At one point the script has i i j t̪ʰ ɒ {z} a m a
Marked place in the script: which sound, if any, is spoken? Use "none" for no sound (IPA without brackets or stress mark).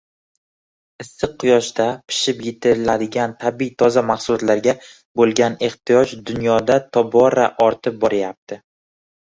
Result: z